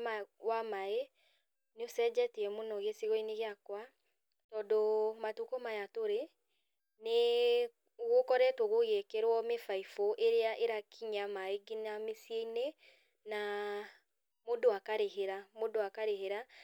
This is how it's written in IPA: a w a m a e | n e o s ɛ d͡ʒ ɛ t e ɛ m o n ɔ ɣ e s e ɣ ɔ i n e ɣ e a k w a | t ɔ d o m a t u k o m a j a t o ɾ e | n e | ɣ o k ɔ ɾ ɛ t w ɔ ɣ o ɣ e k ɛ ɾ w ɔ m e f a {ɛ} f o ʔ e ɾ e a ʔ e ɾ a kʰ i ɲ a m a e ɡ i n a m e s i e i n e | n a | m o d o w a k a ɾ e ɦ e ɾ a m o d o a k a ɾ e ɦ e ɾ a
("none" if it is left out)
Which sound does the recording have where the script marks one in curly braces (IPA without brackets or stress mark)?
i